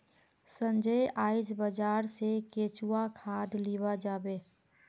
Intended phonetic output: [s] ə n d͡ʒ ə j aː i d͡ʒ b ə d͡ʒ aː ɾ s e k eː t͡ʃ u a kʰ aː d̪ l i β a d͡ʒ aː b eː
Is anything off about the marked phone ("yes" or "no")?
no